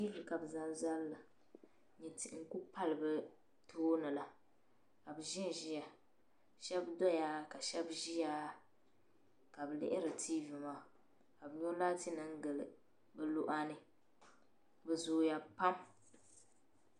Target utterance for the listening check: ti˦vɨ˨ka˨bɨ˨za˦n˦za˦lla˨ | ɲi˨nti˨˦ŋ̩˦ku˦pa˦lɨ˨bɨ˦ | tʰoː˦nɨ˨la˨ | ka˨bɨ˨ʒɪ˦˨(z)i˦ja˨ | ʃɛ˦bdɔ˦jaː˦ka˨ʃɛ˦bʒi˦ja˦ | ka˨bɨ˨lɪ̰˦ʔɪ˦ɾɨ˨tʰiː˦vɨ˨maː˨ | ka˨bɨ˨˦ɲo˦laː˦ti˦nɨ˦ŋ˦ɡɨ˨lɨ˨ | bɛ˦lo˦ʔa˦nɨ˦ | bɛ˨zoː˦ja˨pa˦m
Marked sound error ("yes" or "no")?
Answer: yes